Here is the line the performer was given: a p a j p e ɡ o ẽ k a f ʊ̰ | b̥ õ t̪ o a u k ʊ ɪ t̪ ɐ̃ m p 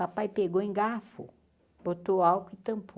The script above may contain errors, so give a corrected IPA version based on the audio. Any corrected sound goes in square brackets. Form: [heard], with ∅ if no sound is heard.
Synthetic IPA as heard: a p a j p e ɡ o ẽ [ɡ] a f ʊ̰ | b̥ [o] t̪ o a [w] k ʊ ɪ t̪ ɐ̃ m p